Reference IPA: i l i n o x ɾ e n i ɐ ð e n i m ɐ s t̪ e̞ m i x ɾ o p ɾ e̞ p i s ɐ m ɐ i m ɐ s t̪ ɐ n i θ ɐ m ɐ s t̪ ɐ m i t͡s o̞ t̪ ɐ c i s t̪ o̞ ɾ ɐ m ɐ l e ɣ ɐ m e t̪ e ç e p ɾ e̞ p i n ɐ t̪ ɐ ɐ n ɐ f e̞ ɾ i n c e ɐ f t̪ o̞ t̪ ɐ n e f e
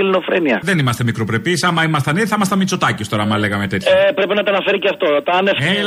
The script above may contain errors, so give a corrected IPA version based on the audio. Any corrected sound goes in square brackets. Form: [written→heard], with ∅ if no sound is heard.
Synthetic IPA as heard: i l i n o [x→f] ɾ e n i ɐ ð e n i m ɐ s t̪ e̞ m i [x→k] ɾ o p ɾ e̞ p i s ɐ m ɐ i m ɐ s t̪ ɐ n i θ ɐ m ɐ s t̪ ɐ m i t͡s o̞ t̪ ɐ c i s t̪ o̞ ɾ ɐ m ɐ l e ɣ ɐ m e t̪ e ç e p ɾ e̞ p i n ɐ t̪ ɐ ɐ n ɐ f e̞ ɾ i [n→∅] c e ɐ f t̪ o̞ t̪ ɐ n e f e